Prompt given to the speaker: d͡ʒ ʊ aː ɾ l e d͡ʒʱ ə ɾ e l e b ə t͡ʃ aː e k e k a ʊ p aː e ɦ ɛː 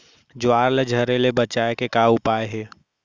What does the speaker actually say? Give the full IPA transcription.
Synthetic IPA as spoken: d͡ʒ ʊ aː ɾ l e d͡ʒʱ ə ɾ e l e b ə t͡ʃ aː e k e k a ʊ p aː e ɦ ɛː